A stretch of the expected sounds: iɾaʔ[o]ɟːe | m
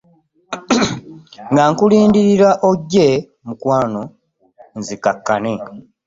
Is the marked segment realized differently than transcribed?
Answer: no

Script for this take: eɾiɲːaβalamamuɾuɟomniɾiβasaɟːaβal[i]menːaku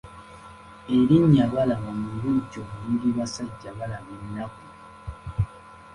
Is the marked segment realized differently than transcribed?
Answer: yes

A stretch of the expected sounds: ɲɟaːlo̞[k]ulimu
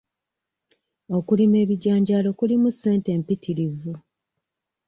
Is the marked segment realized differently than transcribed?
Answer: no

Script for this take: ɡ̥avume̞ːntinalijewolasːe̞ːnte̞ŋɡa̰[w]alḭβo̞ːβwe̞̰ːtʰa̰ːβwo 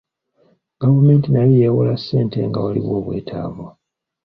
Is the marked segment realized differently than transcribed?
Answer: no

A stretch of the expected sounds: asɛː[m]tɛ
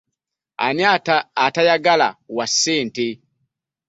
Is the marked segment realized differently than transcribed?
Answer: yes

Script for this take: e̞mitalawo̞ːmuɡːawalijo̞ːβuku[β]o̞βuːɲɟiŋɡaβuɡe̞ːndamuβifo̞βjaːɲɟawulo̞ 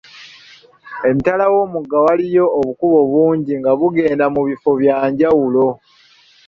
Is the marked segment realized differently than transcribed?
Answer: no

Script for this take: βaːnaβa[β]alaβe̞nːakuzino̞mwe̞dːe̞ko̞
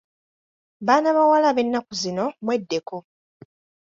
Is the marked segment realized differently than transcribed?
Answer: yes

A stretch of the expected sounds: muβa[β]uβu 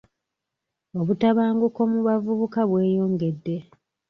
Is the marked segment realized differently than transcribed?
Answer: yes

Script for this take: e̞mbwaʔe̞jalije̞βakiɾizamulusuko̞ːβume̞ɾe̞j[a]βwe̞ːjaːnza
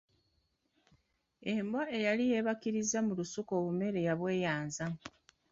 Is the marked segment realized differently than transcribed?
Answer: no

